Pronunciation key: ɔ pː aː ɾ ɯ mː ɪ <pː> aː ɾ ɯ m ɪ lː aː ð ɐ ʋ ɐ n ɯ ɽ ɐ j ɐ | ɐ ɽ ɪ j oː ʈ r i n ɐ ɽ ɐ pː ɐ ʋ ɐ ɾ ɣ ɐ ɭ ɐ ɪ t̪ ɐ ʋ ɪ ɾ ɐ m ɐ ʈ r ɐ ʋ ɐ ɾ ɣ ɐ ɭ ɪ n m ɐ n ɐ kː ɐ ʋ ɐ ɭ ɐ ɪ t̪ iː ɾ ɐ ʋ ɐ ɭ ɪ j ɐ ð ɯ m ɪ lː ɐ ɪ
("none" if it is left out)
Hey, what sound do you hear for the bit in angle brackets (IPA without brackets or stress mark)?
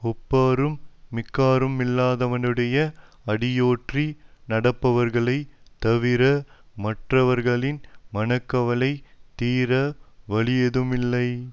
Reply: kː